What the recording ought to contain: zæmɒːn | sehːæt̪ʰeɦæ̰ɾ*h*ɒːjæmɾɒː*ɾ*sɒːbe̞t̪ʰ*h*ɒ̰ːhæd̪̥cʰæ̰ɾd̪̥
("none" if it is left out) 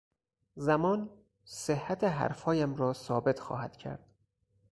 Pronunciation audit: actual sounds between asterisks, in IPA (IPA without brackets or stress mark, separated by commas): f, none, x